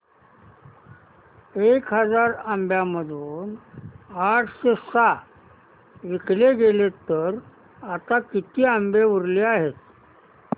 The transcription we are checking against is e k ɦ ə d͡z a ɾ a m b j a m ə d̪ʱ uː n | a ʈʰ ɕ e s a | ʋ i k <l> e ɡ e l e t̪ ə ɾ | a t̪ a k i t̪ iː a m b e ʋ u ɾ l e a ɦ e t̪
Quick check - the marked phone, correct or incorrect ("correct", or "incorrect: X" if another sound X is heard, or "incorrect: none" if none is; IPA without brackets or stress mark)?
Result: correct